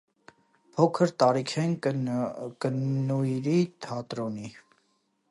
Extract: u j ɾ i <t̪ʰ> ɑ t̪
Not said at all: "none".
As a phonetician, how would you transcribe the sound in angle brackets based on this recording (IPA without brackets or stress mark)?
t̪ʰ